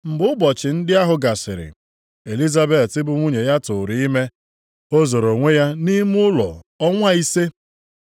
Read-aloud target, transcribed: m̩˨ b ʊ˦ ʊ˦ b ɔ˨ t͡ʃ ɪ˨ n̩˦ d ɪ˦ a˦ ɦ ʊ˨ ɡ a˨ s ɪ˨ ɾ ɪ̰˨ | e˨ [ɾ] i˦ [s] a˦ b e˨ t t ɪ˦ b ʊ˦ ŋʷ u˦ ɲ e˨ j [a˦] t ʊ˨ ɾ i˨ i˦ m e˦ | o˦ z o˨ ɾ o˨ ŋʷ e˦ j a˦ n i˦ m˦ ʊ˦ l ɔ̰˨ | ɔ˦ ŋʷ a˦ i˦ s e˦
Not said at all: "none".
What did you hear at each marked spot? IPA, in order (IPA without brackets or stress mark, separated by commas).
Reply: l, z, a˦